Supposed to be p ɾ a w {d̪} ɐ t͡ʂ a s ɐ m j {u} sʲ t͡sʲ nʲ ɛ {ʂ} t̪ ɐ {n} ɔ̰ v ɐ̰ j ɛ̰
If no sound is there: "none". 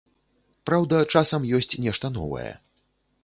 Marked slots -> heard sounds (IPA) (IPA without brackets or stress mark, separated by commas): d̪, ɔ, ʂ, n